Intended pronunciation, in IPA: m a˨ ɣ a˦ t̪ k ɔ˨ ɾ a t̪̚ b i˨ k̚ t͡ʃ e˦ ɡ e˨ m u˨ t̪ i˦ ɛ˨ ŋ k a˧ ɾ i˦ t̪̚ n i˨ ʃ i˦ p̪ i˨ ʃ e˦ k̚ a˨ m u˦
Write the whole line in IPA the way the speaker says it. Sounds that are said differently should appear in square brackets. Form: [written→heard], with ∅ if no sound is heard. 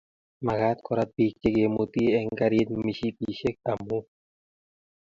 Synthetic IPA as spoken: m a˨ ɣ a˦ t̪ k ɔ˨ ɾ a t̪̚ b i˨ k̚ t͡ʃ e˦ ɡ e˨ m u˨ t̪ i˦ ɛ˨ ŋ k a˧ ɾ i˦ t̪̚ [n→m] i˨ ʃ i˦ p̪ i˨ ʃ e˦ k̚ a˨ m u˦